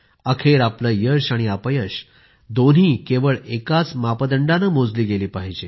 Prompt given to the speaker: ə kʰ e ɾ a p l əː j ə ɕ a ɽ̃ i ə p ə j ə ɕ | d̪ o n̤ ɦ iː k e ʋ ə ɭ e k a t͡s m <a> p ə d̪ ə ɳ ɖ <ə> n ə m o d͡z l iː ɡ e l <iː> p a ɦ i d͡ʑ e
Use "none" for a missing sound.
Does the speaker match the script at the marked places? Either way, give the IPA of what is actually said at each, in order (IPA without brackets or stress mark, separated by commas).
a, a, iː